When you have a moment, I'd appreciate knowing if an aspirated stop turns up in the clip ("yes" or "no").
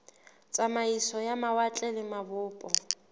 no